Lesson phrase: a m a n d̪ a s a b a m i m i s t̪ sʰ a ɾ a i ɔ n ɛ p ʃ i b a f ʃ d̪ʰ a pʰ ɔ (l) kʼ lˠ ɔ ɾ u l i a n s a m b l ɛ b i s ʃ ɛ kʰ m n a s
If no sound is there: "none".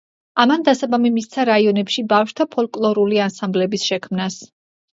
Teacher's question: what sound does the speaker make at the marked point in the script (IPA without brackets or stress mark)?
l